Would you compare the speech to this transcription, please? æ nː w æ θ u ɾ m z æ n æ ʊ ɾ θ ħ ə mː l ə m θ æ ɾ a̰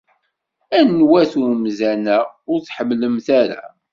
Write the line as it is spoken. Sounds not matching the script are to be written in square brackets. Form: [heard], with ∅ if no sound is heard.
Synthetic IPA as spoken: æ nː w æ θ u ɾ m z æ n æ ʊ ɾ θ ħ ə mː l ə m θ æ ɾ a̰